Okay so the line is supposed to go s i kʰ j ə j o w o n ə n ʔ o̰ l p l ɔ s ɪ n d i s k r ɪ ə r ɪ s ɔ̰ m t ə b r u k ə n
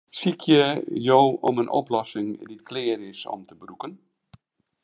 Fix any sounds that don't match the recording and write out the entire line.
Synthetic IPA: s i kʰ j ə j o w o m ə n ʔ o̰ p l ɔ s ɪ ŋ d i t k l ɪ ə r ɪ s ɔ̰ m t ə b r u k ə n